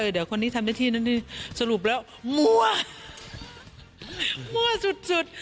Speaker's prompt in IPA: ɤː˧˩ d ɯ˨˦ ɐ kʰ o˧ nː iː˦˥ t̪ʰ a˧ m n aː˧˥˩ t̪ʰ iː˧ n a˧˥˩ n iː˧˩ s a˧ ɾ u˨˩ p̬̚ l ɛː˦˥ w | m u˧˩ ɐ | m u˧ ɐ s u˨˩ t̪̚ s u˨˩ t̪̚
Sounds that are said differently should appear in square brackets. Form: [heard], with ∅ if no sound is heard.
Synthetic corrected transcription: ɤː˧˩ d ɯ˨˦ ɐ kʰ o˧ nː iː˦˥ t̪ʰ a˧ m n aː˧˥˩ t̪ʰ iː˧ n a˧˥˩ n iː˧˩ s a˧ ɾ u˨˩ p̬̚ l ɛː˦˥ w | m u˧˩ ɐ | m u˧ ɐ s u˨˩ t̪̚ s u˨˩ t̪̚